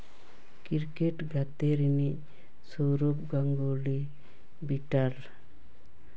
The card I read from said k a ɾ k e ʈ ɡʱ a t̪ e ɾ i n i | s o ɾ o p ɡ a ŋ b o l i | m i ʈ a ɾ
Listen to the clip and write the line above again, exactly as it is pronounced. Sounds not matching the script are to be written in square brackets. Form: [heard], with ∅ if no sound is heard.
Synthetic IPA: k [i] ɾ k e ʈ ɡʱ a t̪ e ɾ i n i | s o ɾ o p ɡ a ŋ [ɡ] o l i | [b] i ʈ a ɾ